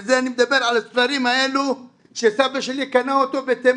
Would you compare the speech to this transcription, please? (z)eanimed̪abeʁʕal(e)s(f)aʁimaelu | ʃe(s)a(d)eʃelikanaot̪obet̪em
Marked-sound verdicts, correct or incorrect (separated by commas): correct, incorrect, correct, correct, incorrect